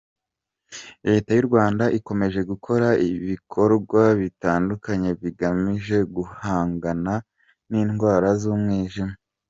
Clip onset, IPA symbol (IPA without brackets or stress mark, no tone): ɾ